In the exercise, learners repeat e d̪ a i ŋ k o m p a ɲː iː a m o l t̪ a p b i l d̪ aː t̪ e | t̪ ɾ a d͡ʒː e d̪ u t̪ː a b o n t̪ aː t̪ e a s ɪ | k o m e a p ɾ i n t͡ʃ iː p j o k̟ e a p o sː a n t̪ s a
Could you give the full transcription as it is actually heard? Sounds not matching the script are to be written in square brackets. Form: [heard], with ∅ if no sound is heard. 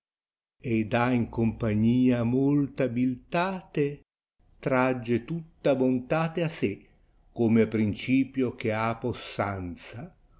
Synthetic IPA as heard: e d̪ a i ŋ k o m p a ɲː iː a m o l t̪ a [∅] b i l [t̪] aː t̪ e | t̪ ɾ a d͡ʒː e [t̪] u t̪ː a b o n t̪ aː t̪ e a s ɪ | k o m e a p ɾ i n t͡ʃ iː p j o k̟ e a p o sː a n t̪ s a

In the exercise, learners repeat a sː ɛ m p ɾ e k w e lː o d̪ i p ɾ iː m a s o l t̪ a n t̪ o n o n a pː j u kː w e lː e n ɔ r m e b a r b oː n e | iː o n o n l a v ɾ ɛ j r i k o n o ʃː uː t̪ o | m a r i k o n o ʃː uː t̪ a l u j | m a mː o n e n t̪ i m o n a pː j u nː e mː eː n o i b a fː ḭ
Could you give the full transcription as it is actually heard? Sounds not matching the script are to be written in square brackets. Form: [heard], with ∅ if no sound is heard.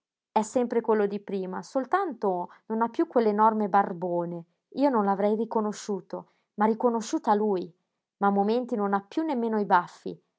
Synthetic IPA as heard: [ɛ] sː ɛ m p ɾ e k w e lː o d̪ i p ɾ iː m a s o l t̪ a n t̪ o n o n a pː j u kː w e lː e n ɔ r m e b a r b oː n e | iː o n o n l a v ɾ ɛ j r i k o n o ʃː uː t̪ o | m a r i k o n o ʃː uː t̪ a l u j | m a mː o [m] e n t̪ i [n] o n a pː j u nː e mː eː n o i b a fː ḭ

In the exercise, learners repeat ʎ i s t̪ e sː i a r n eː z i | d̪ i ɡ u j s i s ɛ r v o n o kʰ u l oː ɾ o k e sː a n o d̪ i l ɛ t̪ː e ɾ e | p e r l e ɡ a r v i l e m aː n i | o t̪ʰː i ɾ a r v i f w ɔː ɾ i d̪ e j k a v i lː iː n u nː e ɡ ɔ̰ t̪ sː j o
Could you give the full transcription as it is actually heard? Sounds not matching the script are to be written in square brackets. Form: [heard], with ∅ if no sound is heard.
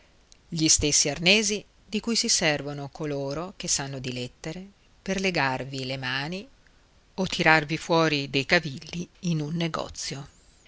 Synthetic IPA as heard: ʎ i s t̪ e sː i a r n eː z i | d̪ i [k] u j s i s ɛ r v o n o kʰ [o] l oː ɾ o k e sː a [nː] o d̪ i l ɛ t̪ː e ɾ e | p e r l e ɡ a r v i l e m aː n i | o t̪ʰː i ɾ a r v i f w ɔː ɾ i d̪ e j k a v i lː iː n u nː e ɡ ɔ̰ t̪ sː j o

